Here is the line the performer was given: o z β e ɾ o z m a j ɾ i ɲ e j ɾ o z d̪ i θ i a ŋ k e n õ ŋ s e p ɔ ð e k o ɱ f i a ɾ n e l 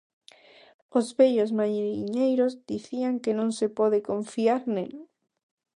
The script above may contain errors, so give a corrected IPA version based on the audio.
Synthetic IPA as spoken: o z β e ʎ o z m a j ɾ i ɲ e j ɾ o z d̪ i θ i a ŋ k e n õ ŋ s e p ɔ ð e k o ɱ f i a ɾ n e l